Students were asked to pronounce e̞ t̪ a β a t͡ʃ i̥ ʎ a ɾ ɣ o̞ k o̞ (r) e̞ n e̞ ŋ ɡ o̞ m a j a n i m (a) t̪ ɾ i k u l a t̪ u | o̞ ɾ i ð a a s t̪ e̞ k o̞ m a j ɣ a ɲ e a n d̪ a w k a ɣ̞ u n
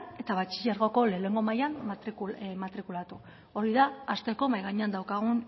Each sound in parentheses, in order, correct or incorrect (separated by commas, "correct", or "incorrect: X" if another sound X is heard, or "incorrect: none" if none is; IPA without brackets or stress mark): incorrect: l, correct